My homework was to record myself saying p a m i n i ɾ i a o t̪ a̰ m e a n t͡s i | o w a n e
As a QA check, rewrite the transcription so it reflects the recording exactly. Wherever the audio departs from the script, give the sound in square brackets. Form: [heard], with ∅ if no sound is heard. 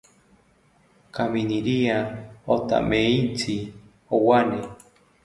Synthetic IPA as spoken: [k] a m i n i ɾ i a o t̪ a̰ m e [i] n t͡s i | o w a n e